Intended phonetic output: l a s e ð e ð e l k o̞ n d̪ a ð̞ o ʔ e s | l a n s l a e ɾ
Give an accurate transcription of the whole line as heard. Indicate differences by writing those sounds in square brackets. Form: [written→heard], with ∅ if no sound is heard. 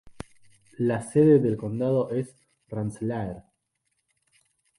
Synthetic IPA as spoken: l a s e ð e ð e l k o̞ n d̪ a ð̞ o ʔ e s | [l→r] a n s l a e ɾ